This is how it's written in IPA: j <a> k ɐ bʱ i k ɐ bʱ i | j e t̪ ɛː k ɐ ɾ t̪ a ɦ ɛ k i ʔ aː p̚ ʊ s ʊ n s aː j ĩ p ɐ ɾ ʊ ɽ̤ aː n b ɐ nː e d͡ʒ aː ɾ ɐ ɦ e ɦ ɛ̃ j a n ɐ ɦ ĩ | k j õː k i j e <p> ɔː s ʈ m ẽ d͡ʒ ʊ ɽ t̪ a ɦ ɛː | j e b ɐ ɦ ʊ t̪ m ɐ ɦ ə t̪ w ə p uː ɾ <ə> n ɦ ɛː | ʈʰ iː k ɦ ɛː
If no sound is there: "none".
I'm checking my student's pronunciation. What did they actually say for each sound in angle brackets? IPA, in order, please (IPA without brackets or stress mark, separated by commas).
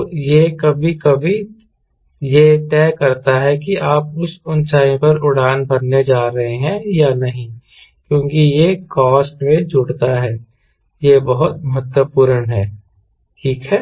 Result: e, k, ə